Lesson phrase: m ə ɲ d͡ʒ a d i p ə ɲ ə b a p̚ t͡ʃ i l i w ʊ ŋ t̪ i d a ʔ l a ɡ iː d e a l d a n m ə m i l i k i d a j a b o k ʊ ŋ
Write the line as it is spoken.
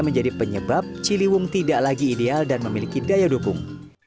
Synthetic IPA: m ə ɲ d͡ʒ a d i p ə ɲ ə b a p̚ t͡ʃ i l i w ʊ ŋ t̪ i d a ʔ l a ɡ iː d e a l d a n m ə m i l i k i d a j a d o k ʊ ŋ